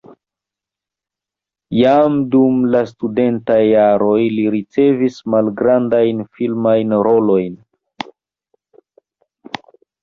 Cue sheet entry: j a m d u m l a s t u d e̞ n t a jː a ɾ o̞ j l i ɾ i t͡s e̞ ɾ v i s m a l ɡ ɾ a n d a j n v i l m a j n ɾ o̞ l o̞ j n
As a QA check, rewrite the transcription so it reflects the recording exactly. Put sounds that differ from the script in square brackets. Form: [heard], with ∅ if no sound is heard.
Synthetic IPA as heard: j a m d u m l a s t u d e̞ n t a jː a ɾ o̞ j l i ɾ i t͡s e̞ [∅] v i s m a l ɡ ɾ a n d a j n [f] i l m a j n ɾ o̞ l o̞ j n